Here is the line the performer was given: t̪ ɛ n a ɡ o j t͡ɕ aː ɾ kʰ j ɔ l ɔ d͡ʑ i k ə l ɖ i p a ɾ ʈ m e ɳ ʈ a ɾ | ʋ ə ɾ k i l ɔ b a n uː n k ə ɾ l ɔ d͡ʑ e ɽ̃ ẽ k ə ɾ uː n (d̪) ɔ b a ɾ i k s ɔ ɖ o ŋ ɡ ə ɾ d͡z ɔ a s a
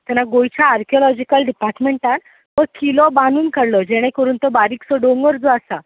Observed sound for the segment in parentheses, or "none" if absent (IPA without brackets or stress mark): t̪